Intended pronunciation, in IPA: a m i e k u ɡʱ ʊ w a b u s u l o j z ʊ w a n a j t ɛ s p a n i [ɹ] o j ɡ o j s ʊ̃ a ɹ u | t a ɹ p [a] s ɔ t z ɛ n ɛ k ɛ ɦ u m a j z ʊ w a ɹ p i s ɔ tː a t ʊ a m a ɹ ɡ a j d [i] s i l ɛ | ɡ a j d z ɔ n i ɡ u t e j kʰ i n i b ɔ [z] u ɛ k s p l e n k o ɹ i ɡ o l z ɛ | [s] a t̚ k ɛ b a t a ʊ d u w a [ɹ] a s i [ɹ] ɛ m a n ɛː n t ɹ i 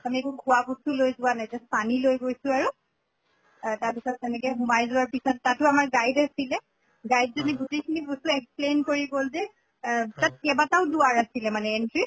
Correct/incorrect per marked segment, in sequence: incorrect, incorrect, incorrect, incorrect, incorrect, correct, incorrect

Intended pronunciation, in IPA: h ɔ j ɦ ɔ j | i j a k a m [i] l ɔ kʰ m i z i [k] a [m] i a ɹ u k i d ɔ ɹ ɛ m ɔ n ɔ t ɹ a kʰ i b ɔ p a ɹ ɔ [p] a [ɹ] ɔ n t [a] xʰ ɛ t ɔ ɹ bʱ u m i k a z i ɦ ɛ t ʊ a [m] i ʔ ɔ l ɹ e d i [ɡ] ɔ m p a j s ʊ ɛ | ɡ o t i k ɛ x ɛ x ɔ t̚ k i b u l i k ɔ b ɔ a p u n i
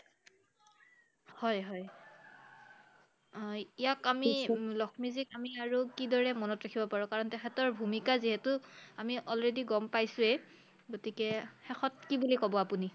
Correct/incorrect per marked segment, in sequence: correct, correct, correct, incorrect, correct, incorrect, correct, correct

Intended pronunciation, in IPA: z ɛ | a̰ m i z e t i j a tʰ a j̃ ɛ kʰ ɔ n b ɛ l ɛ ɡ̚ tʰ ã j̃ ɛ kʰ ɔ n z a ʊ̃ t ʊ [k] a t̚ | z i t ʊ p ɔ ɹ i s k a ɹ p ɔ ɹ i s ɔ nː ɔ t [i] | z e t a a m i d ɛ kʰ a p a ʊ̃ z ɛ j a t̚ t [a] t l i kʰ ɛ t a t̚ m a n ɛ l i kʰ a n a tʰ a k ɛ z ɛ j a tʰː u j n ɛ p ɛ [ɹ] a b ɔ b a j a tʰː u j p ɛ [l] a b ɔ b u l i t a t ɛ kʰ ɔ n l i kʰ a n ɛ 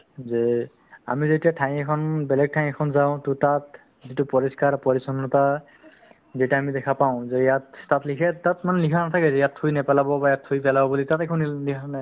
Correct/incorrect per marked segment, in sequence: incorrect, incorrect, correct, incorrect, correct

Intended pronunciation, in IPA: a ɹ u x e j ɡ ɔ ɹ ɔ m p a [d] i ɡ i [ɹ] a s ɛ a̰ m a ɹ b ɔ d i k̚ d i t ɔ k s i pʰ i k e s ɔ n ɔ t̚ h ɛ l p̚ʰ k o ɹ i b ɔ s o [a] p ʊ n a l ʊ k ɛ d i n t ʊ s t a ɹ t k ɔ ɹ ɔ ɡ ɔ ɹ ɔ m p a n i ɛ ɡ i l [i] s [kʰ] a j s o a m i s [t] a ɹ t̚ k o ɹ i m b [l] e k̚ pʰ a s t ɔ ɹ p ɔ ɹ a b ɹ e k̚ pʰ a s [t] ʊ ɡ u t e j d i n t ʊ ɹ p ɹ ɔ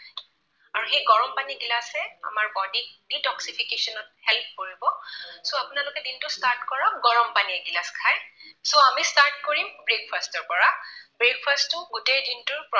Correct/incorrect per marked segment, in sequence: incorrect, incorrect, correct, incorrect, correct, correct, incorrect, correct

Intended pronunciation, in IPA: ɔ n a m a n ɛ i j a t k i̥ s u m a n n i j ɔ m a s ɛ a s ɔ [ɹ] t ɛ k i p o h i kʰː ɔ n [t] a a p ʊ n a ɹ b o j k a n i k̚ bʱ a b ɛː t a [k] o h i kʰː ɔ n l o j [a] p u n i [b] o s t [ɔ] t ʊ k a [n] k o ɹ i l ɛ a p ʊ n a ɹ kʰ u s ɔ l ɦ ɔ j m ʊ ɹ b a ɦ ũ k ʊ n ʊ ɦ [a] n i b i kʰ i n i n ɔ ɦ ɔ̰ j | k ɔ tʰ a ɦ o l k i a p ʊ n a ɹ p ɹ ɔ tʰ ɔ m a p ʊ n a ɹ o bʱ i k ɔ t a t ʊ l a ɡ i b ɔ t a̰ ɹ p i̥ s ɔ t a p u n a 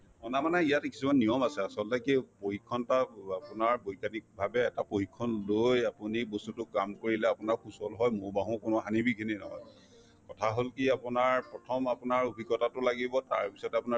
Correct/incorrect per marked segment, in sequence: incorrect, correct, incorrect, correct, correct, incorrect, incorrect, correct

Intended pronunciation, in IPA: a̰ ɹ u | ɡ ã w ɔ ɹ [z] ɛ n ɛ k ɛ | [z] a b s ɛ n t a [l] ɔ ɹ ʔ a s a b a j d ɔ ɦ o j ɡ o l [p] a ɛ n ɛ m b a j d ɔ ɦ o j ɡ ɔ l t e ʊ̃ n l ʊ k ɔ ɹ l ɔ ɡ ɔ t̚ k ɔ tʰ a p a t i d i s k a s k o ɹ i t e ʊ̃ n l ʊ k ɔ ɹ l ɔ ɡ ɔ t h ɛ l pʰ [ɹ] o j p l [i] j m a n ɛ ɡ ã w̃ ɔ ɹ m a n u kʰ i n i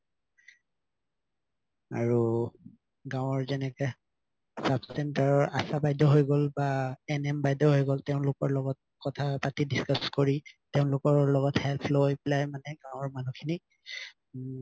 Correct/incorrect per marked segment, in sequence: correct, incorrect, incorrect, incorrect, incorrect, incorrect

